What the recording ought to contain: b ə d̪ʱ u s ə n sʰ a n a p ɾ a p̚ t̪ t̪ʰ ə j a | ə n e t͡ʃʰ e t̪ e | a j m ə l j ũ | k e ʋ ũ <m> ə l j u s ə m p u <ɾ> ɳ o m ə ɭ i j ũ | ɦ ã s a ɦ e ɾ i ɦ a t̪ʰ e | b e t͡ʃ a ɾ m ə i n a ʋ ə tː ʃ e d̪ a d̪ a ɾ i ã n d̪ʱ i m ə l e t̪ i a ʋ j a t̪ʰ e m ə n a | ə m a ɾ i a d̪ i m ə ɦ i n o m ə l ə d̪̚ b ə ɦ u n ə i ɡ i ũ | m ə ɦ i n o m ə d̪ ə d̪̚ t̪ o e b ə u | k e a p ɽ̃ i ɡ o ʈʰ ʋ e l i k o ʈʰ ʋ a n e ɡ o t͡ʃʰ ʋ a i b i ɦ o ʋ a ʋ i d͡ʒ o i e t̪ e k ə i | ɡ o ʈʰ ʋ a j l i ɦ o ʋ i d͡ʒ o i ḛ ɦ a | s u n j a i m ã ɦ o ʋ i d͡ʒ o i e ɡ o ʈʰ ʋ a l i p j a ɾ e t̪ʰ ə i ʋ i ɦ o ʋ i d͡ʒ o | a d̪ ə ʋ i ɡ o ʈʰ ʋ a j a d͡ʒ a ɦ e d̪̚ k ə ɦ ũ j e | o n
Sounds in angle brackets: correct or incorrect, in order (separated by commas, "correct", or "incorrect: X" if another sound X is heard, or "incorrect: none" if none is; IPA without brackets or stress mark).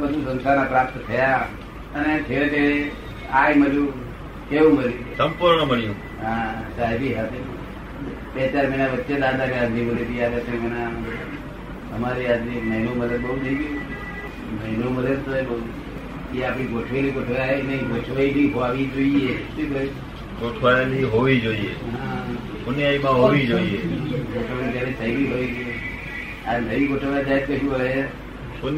correct, correct